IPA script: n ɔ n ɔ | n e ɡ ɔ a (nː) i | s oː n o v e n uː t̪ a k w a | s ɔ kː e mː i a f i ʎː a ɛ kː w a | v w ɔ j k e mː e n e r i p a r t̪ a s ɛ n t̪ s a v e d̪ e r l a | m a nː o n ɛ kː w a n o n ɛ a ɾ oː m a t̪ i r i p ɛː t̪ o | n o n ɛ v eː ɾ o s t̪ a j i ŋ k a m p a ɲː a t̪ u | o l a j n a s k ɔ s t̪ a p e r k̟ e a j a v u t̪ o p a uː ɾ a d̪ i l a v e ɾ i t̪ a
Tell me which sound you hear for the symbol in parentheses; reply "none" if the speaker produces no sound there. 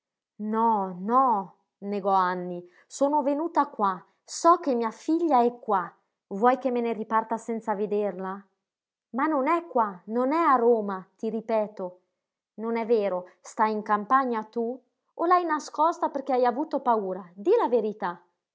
nː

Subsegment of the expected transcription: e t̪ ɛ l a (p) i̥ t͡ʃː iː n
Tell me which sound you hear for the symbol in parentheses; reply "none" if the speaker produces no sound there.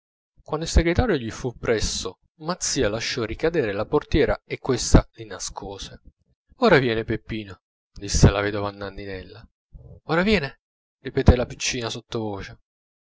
p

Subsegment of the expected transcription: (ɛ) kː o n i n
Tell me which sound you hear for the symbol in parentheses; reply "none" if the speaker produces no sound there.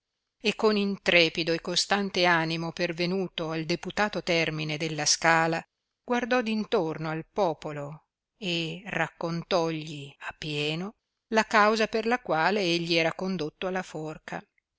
e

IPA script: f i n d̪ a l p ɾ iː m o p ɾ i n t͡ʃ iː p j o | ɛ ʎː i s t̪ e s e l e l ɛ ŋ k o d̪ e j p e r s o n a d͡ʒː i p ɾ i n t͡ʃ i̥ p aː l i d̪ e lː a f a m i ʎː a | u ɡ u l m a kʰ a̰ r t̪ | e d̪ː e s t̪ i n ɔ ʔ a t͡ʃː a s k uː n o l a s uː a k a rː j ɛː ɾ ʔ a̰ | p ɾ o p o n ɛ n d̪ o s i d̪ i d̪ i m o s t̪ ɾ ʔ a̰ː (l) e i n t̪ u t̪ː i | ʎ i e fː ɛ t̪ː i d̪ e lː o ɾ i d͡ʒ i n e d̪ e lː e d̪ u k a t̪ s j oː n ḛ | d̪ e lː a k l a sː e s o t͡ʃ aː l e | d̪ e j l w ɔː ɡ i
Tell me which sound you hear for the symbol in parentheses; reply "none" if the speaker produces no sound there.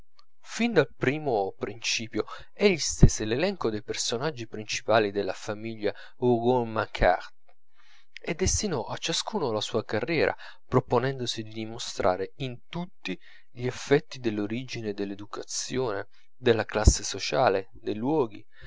ɾ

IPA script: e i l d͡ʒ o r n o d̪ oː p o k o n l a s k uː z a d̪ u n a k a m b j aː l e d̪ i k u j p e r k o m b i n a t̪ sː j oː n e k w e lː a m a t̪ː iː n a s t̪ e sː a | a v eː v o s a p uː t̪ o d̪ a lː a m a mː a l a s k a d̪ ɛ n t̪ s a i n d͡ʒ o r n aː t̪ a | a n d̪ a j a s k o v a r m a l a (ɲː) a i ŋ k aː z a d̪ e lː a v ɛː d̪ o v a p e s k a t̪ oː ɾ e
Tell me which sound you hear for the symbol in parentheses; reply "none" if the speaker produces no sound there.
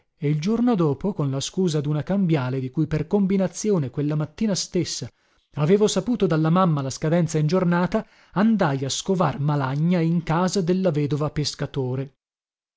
ɲː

